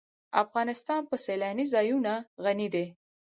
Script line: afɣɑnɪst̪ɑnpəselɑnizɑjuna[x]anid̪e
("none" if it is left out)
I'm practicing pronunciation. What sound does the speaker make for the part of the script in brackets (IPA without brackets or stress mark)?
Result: ɣ